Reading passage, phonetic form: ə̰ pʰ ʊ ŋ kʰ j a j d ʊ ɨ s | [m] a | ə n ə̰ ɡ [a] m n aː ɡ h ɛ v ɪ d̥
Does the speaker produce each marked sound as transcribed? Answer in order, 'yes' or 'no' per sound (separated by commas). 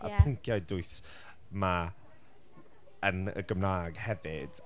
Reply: yes, no